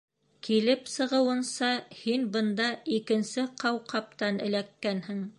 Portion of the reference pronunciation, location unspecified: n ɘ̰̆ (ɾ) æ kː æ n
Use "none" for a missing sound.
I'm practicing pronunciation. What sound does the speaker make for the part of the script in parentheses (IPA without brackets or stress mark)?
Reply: l